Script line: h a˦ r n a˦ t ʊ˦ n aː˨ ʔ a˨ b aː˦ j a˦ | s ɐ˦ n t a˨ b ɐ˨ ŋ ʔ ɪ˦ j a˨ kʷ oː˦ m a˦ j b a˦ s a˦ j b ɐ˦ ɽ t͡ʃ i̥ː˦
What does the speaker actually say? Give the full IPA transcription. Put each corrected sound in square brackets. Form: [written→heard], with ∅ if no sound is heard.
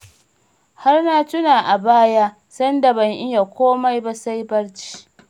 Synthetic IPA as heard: h a˦ r n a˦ t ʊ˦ n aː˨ ʔ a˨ b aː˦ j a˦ | s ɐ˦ n [t→d] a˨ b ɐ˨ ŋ ʔ ɪ˦ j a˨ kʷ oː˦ m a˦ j b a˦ s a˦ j b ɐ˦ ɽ t͡ʃ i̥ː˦